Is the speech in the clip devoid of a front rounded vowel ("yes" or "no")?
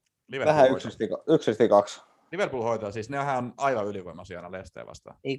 no